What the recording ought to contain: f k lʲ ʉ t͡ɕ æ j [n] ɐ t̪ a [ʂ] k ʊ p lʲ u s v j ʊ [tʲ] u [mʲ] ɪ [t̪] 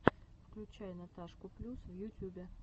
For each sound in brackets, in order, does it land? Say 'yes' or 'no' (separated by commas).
yes, yes, yes, no, no